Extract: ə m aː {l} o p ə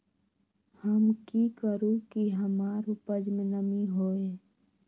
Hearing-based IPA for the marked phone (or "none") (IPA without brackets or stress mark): ɾ